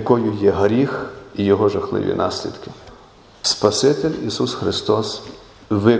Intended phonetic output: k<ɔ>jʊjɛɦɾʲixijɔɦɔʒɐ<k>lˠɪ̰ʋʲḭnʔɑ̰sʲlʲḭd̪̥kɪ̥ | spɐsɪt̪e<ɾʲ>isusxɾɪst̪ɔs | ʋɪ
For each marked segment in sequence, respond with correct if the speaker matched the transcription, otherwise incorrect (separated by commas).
correct, incorrect, incorrect